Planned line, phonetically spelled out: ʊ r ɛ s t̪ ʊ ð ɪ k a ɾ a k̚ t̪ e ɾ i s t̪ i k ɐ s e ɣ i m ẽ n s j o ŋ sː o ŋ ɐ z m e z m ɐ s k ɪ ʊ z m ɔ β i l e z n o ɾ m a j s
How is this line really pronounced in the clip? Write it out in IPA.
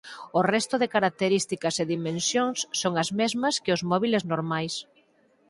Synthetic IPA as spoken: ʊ r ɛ s t̪ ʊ ð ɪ k a ɾ a k̚ t̪ e ɾ i s t̪ i k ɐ s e ð i m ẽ n s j o ŋ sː o ŋ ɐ z m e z m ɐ s k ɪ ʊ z m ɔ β i l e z n o ɾ m a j s

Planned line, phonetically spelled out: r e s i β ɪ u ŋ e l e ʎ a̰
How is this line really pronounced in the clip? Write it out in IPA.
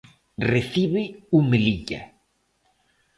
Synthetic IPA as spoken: r e θ i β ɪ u m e l i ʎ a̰

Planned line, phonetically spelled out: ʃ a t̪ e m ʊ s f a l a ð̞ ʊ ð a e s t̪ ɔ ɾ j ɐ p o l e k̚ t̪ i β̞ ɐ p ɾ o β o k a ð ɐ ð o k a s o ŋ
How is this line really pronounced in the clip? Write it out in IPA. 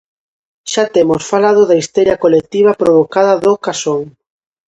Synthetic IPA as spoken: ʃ a t̪ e m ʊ s f a l a ð̞ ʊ ð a i s t̪ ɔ ɾ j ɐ k o l e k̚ t̪ i β̞ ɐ p ɾ o β o k a ð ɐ ð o k a s o ŋ

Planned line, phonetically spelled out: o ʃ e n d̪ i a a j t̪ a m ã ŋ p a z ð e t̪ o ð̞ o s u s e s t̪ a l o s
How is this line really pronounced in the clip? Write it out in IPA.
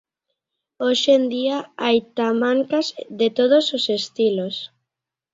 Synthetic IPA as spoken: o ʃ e n d̪ i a a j t̪ a m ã ŋ k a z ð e t̪ o ð̞ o s o s e s t̪ i l o s

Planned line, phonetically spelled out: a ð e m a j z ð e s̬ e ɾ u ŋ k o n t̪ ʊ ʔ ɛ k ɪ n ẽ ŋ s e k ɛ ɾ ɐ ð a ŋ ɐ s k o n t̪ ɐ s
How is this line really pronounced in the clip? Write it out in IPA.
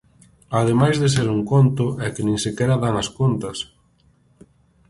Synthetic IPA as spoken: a ð e m a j z ð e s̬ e ɾ u ŋ k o n t̪ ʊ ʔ ɛ k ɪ n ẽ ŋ s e k ɛ ɾ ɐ ð a ŋ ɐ s k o n t̪ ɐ s

